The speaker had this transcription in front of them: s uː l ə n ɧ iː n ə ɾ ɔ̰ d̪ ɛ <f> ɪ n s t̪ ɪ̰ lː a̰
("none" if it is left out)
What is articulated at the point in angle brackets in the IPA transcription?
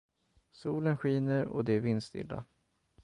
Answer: v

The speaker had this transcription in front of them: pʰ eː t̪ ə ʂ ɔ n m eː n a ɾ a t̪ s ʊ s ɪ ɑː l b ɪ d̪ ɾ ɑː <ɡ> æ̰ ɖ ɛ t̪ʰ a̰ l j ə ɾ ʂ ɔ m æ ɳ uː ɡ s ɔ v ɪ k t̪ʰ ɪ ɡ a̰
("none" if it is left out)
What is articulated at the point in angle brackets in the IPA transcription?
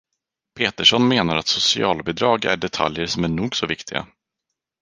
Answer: ɡ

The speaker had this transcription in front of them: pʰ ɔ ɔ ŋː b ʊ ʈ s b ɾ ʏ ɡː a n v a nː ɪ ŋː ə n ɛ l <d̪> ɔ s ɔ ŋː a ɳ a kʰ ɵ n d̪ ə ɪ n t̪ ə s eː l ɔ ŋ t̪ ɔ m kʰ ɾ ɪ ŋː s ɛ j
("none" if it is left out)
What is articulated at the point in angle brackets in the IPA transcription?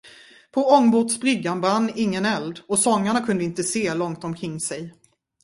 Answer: d̪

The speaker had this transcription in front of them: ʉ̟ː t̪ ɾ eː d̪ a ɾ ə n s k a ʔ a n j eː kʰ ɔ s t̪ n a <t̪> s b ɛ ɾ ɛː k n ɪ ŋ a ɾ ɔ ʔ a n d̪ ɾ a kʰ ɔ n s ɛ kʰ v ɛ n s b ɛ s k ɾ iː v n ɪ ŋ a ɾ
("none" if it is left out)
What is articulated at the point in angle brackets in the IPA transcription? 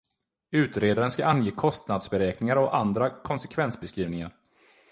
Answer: d̪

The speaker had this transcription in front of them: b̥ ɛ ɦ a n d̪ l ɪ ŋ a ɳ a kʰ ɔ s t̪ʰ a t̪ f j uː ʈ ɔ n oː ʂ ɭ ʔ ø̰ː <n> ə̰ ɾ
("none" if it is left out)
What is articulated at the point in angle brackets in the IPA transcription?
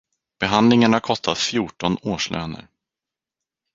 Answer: n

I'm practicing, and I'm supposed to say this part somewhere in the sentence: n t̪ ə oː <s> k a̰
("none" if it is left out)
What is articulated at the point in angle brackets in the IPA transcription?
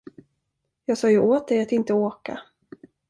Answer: none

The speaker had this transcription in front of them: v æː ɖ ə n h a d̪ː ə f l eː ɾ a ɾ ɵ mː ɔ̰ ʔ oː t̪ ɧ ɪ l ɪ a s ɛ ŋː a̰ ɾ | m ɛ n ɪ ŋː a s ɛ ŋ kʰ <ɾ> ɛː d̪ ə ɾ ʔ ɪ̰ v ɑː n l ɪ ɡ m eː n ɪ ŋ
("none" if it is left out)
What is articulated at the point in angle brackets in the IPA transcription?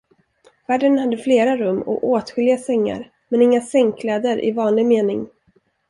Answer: l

